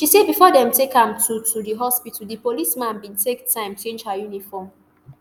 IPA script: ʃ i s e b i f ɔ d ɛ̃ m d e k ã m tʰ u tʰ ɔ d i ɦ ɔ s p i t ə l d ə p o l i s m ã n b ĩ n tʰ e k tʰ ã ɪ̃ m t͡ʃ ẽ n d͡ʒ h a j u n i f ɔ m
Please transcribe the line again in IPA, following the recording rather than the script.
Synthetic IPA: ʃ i s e b i f ɔ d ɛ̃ m t e k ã m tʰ u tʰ u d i ɦ ɔ s p i t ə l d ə p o l i s m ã n b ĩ n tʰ e k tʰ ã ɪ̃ m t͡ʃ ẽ n d͡ʒ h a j u n i f ɔ m